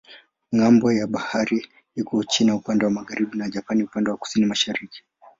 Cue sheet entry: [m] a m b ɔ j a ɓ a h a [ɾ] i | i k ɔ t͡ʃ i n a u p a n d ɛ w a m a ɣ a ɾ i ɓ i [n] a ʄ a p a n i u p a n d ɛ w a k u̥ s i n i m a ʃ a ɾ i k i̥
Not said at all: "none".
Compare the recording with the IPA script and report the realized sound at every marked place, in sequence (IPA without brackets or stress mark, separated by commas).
ŋ, ɾ, n